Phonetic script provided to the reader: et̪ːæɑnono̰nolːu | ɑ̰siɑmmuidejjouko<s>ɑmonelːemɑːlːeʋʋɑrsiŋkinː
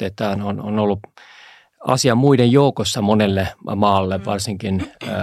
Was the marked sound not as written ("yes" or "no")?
yes